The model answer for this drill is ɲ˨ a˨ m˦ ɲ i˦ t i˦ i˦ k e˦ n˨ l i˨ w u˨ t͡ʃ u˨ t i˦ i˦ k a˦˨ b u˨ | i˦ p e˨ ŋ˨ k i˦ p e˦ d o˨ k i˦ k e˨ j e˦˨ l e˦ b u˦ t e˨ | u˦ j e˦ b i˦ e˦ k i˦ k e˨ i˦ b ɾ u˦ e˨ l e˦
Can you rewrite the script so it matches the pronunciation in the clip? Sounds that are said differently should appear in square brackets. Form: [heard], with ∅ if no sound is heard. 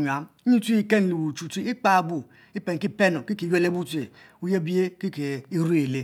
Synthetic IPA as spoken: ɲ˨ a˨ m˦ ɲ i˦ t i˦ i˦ k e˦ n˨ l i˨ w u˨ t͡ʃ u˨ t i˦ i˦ [k͡p] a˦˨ b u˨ | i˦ p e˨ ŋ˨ k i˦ p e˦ [n] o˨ k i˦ k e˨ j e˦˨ l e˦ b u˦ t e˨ | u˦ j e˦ b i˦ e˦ k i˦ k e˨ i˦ [∅] ɾ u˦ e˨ l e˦